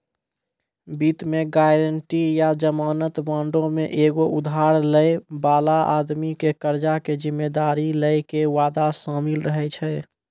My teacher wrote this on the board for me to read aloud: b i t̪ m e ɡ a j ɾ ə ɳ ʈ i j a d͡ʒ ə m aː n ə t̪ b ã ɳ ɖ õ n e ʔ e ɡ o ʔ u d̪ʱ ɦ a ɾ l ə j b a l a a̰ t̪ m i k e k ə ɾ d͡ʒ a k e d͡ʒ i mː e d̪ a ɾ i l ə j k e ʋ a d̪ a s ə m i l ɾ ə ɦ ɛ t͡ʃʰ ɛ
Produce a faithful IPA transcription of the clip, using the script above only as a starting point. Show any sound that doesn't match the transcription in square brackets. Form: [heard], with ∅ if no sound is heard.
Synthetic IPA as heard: b i t̪ m e ɡ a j ɾ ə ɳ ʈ i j a d͡ʒ ə m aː n ə t̪ b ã ɳ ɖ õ [m] e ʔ e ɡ o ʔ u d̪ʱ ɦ a ɾ l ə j b a l a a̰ [d̪] m i k e k ə ɾ d͡ʒ a k e d͡ʒ i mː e d̪ a ɾ i l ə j k e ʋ a d̪ a s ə m i l ɾ ə ɦ ɛ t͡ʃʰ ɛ